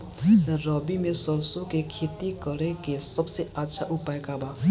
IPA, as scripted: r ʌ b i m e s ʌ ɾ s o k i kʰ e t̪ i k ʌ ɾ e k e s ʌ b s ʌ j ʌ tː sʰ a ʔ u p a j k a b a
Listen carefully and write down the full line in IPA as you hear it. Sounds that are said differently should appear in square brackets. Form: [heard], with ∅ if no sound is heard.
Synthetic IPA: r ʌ b i m e s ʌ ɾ s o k [e] kʰ e t̪ i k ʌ ɾ e k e s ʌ b s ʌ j [a] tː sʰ a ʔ u p a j k a b a